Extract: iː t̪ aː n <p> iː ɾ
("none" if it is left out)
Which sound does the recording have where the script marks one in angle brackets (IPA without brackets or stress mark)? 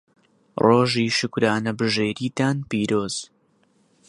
p